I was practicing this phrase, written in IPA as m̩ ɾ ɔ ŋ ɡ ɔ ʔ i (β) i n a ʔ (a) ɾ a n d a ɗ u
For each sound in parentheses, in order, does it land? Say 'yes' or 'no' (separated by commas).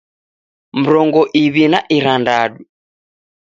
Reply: yes, no